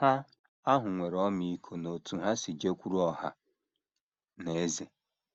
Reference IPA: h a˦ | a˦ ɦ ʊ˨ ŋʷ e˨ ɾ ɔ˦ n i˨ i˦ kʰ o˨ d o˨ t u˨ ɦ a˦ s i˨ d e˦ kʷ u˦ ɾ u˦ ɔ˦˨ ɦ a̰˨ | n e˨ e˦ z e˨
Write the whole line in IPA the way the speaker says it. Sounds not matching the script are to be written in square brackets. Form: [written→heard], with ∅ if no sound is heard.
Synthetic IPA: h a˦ | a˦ ɦ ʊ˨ ŋʷ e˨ ɾ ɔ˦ [n→m] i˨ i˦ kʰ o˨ [d→n] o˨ t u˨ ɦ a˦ s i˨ [d→d͡ʒ] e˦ kʷ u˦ ɾ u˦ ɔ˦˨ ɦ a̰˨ | n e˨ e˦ z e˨